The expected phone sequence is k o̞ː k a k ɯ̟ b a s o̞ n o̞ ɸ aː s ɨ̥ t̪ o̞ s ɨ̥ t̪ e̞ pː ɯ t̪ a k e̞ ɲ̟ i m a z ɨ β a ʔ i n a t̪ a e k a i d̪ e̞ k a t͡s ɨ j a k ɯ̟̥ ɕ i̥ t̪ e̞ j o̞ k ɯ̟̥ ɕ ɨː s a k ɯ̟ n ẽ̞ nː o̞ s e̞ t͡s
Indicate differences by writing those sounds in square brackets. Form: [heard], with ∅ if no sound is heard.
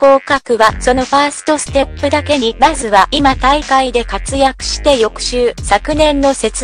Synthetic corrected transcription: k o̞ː k a k ɯ̟ [β] a s o̞ n o̞ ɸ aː s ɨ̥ t̪ o̞ s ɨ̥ t̪ e̞ pː ɯ [d̪] a k e̞ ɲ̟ i m a z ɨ β a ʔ i [m] a t̪ a [i] k a i d̪ e̞ k a t͡s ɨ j a k ɯ̟̥ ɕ i̥ t̪ e̞ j o̞ k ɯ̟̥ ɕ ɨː s a k ɯ̟ n ẽ̞ nː o̞ s e̞ t͡s